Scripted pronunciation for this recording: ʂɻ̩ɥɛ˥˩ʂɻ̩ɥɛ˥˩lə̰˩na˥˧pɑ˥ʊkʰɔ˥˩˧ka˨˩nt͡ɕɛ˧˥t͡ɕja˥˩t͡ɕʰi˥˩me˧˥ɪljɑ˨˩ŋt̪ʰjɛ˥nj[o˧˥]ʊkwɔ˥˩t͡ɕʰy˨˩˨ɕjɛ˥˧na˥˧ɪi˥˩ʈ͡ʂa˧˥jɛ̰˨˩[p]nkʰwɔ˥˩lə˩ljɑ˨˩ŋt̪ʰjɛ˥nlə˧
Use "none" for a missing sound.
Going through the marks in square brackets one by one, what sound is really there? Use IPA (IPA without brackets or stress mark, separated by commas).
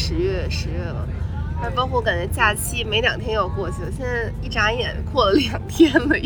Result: o˨˩, none